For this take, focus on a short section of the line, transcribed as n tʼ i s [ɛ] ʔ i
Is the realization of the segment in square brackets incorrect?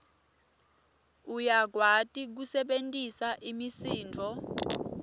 yes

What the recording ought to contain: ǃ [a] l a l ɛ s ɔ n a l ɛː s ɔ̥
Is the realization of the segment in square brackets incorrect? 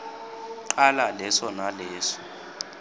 no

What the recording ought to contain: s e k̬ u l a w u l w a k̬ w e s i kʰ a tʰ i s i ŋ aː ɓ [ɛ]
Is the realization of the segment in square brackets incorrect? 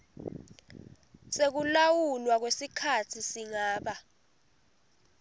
yes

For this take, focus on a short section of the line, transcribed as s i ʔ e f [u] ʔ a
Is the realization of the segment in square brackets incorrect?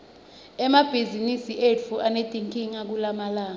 no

